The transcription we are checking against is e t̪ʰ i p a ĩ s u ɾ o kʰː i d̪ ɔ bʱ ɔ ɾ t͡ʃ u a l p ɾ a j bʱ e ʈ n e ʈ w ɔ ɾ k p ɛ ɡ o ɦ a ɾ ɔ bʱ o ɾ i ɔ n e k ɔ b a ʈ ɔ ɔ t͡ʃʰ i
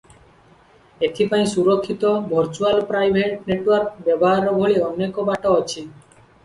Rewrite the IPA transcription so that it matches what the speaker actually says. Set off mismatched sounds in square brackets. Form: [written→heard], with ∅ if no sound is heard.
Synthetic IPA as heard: e t̪ʰ i p a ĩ s u ɾ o kʰː i [d̪→t̪] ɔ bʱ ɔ ɾ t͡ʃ u a l p ɾ a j bʱ e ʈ n e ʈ w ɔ ɾ k [p→b] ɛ [ɡ→b] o ɦ a ɾ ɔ bʱ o [ɾ→ɭ] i ɔ n e k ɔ b a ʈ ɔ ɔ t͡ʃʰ i